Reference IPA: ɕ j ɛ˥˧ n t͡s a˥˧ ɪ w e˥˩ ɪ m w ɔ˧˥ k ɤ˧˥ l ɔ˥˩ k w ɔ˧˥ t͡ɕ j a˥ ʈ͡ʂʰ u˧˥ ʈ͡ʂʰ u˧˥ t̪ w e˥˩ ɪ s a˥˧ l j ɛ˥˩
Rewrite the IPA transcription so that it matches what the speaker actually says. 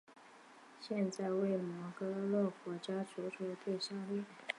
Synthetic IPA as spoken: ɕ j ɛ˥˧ n t͡s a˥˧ ɪ w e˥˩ ɪ m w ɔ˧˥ k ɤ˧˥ l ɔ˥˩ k w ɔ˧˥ t͡ɕ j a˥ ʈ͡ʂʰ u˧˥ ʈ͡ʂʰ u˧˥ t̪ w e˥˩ ɪ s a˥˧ l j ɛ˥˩